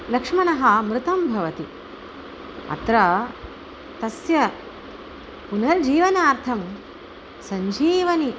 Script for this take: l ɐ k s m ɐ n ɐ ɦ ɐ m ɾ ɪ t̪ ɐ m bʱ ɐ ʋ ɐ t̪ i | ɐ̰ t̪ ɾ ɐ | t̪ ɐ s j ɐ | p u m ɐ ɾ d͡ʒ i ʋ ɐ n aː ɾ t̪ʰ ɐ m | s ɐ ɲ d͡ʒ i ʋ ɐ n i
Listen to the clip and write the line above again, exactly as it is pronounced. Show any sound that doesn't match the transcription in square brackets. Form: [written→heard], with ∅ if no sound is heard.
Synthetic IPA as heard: l ɐ k [s→ʂ] m ɐ n ɐ ɦ ɐ m ɾ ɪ t̪ ɐ m bʱ ɐ ʋ ɐ t̪ i | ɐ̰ t̪ ɾ ɐ | t̪ ɐ s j ɐ | p u [m→n] ɐ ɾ d͡ʒ [i→iː] ʋ ɐ n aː ɾ t̪ʰ ɐ m | s ɐ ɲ d͡ʒ [i→iː] ʋ ɐ n i